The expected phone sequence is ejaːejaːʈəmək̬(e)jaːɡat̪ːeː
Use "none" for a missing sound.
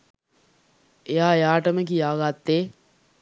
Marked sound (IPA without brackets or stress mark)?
i